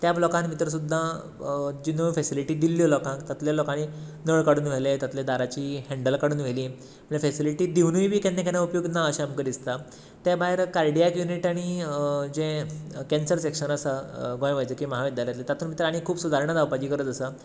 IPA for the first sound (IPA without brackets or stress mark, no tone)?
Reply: t̪